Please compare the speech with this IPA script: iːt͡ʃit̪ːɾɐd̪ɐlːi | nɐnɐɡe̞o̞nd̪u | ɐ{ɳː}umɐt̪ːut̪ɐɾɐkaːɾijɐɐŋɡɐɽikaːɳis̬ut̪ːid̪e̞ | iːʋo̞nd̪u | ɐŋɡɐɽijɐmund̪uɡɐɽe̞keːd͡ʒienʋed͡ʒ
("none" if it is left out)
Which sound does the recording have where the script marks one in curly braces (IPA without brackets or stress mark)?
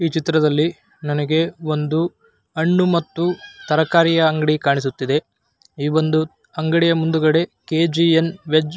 ɳː